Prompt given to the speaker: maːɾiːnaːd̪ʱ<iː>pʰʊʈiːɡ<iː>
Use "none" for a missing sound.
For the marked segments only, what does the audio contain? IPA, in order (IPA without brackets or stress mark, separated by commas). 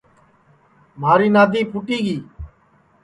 iː, iː